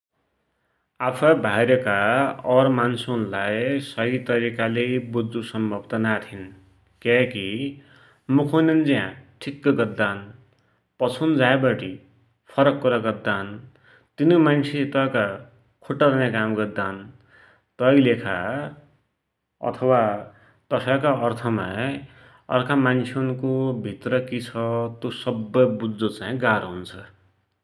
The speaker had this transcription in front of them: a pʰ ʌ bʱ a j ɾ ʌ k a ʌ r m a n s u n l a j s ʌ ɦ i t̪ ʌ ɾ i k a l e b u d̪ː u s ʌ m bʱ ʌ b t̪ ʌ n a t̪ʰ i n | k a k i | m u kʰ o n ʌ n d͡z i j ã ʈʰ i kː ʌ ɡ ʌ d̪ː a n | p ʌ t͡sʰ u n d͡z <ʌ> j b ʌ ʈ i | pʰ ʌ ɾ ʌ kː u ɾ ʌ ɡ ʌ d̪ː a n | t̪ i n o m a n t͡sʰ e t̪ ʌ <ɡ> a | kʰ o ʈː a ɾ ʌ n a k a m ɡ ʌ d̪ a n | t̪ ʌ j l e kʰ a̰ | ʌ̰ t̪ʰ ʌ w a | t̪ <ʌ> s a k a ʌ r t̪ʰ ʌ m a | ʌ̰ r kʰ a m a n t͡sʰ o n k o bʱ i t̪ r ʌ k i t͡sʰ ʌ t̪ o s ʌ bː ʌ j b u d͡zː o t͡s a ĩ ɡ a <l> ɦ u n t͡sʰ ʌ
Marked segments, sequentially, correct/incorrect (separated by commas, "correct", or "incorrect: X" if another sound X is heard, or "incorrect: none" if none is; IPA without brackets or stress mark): incorrect: a, incorrect: k, correct, incorrect: ɾ